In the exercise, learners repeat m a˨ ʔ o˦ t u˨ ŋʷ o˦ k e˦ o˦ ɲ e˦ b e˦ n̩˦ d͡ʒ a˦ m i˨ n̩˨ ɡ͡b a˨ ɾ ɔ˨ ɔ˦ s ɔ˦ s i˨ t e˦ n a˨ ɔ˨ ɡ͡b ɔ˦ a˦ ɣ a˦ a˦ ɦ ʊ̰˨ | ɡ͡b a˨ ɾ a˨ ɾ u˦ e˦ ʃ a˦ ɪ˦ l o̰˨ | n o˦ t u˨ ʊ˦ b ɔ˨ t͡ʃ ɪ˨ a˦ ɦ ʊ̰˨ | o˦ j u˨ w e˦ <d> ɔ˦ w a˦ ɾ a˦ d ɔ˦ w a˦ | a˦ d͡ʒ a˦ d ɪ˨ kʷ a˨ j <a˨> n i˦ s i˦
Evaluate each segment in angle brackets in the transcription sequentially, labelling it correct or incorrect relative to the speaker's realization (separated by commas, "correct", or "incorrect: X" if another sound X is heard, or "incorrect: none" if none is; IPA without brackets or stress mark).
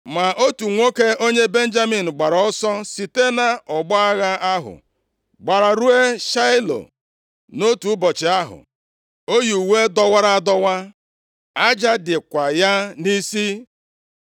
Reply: correct, incorrect: a˦